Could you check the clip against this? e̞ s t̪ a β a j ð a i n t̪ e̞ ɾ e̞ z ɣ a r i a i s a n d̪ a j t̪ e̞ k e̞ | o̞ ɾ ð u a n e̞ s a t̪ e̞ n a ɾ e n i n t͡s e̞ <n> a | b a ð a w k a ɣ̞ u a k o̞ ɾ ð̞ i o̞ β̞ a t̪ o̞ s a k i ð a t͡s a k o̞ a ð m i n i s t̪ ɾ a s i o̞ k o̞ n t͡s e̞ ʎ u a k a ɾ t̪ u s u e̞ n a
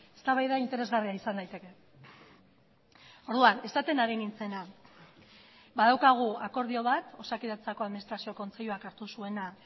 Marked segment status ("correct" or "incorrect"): correct